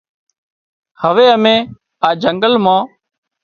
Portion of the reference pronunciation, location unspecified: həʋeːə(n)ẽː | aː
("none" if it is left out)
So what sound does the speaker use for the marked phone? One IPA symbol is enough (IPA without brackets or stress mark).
m